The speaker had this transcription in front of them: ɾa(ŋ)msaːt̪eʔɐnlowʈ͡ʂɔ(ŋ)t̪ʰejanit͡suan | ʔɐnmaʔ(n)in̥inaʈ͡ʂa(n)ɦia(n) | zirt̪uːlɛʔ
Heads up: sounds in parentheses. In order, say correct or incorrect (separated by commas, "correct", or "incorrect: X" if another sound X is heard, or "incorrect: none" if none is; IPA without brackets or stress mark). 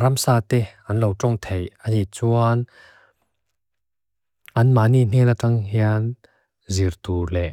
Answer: incorrect: none, correct, correct, incorrect: ŋ, correct